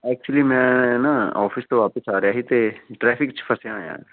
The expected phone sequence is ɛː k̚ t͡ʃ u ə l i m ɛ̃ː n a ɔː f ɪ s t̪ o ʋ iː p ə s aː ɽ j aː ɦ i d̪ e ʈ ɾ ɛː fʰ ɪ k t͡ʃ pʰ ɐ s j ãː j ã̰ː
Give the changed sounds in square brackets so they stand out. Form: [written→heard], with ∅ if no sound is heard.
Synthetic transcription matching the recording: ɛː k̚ t͡ʃ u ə l i m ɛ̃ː n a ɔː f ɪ s t̪ o ʋ [iː→aː] p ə s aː [ɽ→ɾ] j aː ɦ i [d̪→t̪] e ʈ ɾ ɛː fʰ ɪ k t͡ʃ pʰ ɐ s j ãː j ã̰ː